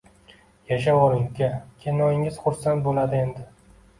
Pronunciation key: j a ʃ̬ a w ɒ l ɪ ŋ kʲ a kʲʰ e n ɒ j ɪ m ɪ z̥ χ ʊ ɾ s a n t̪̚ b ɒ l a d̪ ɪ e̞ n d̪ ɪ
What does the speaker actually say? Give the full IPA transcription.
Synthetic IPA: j a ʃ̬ a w ɒ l ɪ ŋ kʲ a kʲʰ e n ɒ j ɪ ŋ ɪ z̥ χ ʊ ɾ s a n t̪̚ b o l a d̪ ɪ e̞ n d̪ ɪ